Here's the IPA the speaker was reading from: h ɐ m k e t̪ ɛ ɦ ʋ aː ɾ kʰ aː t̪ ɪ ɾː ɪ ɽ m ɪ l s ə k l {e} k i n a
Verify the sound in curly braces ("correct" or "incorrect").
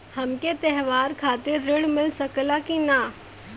incorrect